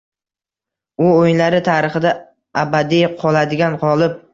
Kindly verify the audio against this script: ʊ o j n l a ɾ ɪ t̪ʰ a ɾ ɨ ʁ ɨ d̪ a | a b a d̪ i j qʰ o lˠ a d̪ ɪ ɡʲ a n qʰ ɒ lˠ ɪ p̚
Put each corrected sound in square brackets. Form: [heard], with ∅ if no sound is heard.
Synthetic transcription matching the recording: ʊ o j n l a ɾ ɪ t̪ʰ a ɾ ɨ [χ] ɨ d̪ a | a b a d̪ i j qʰ [ɒ] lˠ a d̪ ɪ ɡʲ a n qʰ ɒ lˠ ɪ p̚